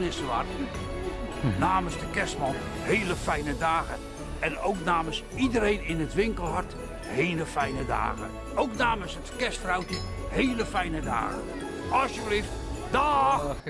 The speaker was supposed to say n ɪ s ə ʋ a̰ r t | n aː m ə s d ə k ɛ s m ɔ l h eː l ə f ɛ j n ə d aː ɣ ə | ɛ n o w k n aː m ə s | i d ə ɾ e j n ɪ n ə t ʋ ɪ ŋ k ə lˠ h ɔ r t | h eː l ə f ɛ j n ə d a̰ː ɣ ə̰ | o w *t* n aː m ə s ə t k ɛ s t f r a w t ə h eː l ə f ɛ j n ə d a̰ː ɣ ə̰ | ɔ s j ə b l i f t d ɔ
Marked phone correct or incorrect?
incorrect